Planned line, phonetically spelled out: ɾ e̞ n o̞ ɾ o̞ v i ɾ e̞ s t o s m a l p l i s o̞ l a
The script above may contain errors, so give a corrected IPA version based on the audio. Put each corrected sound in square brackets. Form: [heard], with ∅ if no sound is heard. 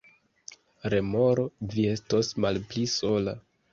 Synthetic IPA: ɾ e̞ [m] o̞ ɾ o̞ v i [∅] e̞ s t o s m a l p l i s o̞ l a